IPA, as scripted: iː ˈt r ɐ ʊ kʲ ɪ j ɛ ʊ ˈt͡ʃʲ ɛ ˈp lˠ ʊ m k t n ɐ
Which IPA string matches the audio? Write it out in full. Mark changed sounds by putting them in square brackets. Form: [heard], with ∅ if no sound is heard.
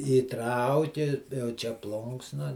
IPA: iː ˈt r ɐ ʊ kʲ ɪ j ɛ ʊ ˈt͡ʃʲ ɛ ˈp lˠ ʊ [ŋ] k [s] n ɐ